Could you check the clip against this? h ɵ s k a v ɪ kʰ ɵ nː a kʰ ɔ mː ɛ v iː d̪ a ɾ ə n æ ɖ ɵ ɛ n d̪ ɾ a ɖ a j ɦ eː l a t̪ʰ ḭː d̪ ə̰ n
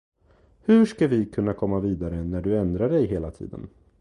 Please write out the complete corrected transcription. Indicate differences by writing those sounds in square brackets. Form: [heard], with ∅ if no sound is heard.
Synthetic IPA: h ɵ [ʂ] k a v ɪ kʰ ɵ nː a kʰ ɔ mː [a] v iː d̪ a ɾ ə n æ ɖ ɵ ɛ n d̪ ɾ a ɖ [ɛ] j ɦ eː l a t̪ʰ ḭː d̪ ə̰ n